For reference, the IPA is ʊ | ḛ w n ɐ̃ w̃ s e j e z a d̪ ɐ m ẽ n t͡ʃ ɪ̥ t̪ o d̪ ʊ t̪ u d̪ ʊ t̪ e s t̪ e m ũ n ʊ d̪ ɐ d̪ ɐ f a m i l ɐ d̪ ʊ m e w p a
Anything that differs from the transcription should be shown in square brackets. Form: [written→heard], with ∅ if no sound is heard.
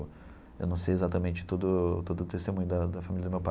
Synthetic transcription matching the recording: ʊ | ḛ w n ɐ̃ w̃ s e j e z a [d̪→t̪] ɐ m ẽ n t͡ʃ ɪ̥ t̪ o d̪ ʊ t̪ [u→o] d̪ ʊ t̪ e s t̪ e m ũ [n→ɲ] ʊ d̪ ɐ d̪ ɐ f a m i l ɐ d̪ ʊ m e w p a